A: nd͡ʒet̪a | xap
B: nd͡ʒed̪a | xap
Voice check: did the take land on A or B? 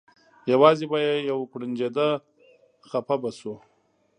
B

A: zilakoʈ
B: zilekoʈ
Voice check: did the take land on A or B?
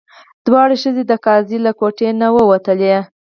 A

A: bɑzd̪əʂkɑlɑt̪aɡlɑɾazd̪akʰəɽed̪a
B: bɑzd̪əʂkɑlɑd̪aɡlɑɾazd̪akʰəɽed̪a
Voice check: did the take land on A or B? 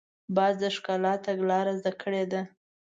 A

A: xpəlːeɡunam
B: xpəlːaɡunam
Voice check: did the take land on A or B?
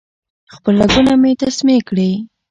B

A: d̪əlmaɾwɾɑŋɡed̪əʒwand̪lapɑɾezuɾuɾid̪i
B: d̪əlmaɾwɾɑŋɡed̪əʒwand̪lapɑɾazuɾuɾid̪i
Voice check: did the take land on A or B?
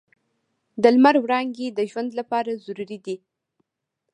B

